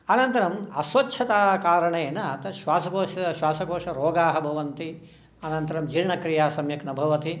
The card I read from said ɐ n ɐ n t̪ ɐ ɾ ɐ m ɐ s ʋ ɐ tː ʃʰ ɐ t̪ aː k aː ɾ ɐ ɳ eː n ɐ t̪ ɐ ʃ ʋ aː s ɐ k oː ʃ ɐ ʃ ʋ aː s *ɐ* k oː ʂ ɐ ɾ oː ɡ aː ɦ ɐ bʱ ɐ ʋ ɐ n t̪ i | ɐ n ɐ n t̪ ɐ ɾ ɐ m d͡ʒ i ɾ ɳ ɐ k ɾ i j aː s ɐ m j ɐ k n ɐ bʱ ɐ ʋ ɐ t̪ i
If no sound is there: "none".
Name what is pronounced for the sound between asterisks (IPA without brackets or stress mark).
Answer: ɐ